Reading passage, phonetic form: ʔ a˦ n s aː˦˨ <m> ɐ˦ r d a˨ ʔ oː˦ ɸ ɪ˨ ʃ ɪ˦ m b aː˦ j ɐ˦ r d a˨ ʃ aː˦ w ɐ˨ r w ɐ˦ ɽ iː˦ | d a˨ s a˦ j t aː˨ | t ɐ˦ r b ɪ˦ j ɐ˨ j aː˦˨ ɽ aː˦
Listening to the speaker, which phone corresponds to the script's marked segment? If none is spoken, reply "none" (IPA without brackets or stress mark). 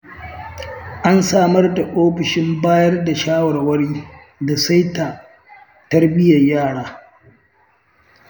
m